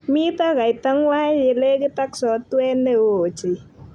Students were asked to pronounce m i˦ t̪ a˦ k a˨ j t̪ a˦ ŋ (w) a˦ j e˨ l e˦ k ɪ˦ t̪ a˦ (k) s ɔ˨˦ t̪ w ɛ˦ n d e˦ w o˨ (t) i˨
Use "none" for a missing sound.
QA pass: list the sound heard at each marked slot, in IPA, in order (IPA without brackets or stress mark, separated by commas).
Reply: w, k, t͡ʃ